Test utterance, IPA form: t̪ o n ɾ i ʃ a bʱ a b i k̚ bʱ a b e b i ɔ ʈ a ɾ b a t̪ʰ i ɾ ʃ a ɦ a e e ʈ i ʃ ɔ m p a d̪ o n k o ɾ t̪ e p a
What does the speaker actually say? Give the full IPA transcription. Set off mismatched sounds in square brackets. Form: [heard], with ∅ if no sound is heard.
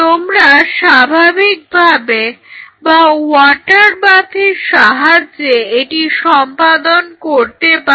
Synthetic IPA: t̪ o [m] ɾ [a] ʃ a bʱ a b i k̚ bʱ a b e b [a] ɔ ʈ a ɾ b a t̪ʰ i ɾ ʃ a ɦ a e e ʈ i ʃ ɔ m p a d̪ o n k o ɾ t̪ e p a